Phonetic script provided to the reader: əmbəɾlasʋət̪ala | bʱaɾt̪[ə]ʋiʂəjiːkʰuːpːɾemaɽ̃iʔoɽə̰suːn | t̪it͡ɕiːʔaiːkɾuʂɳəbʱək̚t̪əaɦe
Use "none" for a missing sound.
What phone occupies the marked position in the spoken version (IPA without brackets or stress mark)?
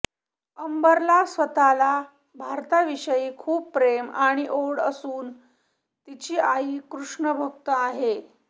a